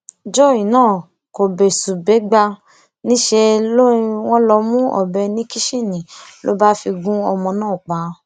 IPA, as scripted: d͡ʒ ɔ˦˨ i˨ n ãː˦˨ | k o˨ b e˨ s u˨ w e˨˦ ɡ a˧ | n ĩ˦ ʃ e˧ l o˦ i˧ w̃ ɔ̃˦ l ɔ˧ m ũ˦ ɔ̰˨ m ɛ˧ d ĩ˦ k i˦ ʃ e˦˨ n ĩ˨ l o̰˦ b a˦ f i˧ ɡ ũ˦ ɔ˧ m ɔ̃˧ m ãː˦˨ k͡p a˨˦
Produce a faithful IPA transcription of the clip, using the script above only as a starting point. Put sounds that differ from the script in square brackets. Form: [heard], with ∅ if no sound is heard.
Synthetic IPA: d͡ʒ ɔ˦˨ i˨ n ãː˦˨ | k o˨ b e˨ s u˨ [b] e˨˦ [ɡ͡b] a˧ | n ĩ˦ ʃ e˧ l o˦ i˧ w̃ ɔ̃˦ l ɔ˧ m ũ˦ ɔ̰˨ [b] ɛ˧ [n] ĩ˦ k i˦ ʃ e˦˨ n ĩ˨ l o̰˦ b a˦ f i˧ ɡ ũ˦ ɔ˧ m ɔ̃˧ [n] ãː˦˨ k͡p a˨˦